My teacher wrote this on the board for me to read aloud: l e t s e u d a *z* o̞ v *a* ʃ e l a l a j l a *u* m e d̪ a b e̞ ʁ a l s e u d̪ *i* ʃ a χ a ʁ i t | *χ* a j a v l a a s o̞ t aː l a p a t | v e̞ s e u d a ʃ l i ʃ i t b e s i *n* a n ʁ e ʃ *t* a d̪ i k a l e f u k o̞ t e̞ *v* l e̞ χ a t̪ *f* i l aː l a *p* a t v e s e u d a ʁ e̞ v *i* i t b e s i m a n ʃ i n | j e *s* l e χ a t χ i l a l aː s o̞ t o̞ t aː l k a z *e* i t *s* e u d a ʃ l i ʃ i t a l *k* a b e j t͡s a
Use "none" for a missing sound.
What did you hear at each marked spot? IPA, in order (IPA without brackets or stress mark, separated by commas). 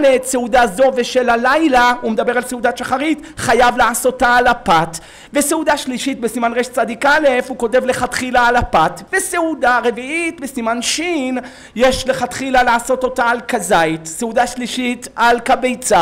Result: z, e, u, a, χ, m, t͡s, v, χ, p, i, ʃ, a, s, k